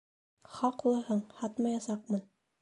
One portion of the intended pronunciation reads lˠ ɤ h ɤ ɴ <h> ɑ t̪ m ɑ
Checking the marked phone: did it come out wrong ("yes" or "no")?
no